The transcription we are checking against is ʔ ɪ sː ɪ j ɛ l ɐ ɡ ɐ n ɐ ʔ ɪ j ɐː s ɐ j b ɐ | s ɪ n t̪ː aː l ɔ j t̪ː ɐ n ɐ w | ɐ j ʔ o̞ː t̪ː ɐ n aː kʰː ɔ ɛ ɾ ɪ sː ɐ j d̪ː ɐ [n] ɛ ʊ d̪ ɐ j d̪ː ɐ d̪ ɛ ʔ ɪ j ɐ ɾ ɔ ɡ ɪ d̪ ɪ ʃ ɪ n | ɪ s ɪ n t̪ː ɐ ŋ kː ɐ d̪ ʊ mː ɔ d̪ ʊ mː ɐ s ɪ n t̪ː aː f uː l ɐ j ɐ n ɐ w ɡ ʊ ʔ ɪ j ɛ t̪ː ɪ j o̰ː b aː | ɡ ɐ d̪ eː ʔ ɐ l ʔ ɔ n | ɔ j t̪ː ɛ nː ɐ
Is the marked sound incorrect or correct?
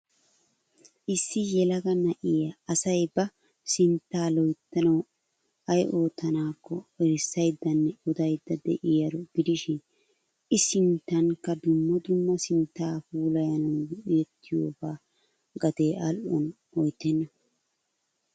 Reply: incorrect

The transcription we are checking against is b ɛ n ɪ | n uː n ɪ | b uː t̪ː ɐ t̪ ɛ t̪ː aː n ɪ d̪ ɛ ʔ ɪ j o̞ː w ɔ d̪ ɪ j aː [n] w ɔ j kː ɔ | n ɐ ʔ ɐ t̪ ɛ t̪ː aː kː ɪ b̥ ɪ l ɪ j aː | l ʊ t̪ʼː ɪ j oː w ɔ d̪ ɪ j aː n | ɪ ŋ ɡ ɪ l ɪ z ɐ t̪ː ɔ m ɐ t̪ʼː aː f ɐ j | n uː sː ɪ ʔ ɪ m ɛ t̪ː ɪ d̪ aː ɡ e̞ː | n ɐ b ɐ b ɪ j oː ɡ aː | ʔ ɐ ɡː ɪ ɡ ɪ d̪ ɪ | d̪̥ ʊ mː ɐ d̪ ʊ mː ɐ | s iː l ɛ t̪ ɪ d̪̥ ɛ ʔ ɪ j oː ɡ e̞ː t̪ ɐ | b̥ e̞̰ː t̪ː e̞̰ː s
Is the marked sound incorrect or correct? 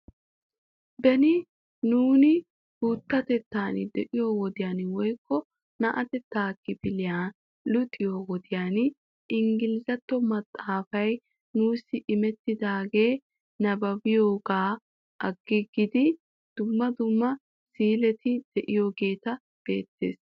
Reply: correct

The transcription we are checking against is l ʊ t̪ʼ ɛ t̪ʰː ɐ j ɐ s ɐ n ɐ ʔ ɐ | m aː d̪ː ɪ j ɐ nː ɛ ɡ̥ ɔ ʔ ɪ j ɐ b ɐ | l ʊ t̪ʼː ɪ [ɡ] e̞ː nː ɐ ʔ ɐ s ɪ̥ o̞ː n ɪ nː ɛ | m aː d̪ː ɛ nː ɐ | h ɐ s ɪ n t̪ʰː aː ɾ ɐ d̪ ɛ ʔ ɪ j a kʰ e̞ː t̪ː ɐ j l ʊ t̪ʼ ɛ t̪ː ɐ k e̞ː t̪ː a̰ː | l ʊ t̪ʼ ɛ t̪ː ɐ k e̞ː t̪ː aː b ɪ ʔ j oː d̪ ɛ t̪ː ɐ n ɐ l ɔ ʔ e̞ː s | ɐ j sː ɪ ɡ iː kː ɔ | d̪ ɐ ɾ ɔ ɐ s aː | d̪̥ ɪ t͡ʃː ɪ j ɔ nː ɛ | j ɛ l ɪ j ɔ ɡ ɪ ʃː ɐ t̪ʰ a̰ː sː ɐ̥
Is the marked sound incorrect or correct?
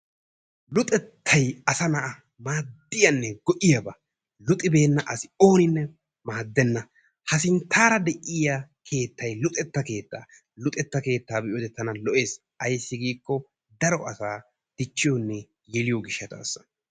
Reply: incorrect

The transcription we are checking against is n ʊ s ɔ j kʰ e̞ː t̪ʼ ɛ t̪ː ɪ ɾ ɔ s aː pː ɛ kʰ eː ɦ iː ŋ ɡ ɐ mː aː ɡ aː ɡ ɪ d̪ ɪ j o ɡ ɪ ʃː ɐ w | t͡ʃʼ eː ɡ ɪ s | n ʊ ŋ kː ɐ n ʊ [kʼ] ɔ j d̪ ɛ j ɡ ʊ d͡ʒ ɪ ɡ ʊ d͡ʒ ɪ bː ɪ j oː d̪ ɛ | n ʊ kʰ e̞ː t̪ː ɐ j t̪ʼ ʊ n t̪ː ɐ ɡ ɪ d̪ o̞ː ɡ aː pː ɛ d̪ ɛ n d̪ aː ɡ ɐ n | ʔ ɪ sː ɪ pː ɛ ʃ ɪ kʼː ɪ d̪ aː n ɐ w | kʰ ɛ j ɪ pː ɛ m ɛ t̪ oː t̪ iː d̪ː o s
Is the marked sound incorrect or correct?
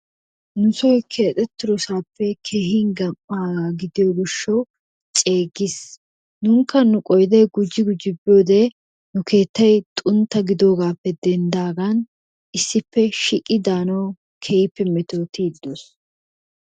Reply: correct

